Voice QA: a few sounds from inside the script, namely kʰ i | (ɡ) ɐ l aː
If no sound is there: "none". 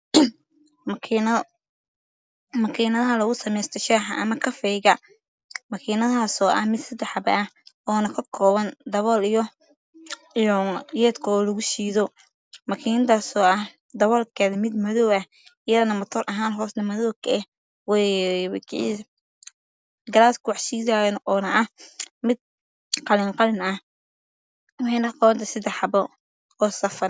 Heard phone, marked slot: ɡ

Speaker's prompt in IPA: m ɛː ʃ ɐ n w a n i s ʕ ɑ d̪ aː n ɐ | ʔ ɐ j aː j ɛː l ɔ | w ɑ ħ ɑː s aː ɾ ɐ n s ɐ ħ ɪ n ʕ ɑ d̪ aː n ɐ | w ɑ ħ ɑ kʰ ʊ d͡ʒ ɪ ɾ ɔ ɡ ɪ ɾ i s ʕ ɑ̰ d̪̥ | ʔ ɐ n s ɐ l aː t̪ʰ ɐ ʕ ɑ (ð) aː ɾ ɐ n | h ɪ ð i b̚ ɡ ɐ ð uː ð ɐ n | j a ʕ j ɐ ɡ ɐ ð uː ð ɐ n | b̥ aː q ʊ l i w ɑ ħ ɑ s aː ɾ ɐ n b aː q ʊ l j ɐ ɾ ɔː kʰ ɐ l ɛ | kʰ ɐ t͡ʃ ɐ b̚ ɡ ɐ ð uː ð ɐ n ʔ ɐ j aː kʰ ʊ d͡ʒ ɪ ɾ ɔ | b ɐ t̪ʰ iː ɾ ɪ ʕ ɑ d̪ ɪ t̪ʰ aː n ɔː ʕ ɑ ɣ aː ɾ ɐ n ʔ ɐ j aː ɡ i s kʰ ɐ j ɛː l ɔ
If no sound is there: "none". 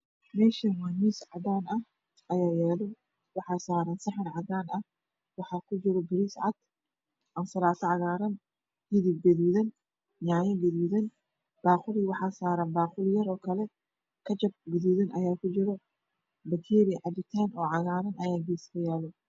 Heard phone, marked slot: ɣ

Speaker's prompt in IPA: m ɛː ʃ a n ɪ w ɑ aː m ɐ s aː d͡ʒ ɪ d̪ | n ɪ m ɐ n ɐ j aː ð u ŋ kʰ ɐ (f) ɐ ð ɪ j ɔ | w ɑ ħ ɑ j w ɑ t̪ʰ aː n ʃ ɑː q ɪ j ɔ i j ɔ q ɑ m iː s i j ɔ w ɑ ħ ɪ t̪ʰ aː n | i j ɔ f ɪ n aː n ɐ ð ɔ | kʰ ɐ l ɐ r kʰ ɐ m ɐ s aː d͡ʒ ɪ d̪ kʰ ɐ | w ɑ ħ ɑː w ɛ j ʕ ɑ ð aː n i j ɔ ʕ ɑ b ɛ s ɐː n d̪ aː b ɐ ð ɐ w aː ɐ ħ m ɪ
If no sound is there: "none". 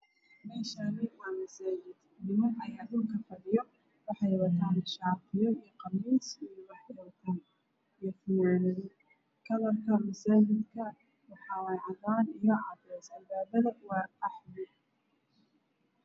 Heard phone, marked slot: f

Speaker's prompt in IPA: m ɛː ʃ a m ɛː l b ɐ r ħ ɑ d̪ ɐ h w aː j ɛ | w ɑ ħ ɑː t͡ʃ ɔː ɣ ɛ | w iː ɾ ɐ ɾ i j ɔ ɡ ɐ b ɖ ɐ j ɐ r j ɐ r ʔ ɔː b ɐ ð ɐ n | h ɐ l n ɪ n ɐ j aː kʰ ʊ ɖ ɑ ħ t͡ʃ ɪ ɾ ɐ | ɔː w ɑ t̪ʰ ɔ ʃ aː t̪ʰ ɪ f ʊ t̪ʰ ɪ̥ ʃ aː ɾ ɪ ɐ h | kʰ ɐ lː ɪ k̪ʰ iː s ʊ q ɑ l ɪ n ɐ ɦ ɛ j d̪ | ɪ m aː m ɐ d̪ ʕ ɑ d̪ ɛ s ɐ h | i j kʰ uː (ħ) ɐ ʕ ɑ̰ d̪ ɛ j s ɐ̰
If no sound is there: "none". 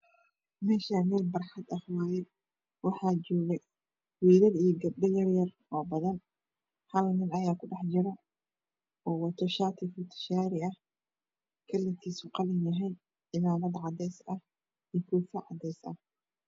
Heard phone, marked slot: f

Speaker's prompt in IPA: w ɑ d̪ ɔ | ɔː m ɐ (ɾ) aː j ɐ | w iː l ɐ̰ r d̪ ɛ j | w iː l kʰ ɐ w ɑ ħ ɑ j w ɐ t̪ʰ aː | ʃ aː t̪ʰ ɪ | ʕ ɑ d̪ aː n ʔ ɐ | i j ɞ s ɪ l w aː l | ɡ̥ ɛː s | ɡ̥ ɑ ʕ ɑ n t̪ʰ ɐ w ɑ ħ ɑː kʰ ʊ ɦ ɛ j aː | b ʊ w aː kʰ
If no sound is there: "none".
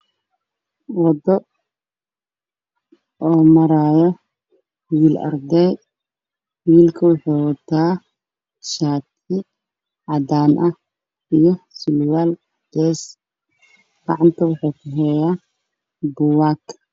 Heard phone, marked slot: ɾ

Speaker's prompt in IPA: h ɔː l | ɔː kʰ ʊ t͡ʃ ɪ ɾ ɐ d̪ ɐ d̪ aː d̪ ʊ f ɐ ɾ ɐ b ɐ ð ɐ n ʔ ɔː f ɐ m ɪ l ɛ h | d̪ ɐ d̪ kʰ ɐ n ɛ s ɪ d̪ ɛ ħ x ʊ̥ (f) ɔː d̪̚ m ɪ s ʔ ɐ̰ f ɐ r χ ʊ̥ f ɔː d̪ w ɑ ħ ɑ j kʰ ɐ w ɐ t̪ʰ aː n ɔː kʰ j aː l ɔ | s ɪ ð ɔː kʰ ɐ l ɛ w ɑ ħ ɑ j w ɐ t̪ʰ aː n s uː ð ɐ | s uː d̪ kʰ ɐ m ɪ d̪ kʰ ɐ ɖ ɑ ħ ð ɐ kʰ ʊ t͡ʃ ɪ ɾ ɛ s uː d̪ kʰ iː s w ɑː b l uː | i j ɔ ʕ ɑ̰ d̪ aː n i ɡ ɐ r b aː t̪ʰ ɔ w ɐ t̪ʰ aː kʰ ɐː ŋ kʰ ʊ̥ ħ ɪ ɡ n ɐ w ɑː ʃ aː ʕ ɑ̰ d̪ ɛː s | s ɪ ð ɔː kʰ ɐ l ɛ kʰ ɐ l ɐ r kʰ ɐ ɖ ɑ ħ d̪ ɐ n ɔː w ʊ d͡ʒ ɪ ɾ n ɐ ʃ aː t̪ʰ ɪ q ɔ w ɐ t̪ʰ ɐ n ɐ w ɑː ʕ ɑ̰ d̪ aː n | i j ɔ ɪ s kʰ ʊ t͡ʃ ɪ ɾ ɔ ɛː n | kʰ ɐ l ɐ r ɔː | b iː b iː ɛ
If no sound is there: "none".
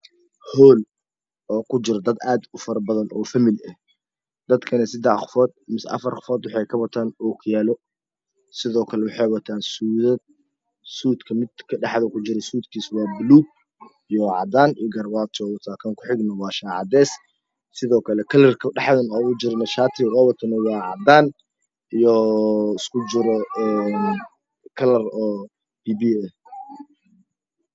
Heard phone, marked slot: f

